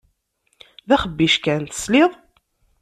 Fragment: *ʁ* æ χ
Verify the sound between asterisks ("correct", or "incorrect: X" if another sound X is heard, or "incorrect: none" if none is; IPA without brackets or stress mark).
incorrect: ð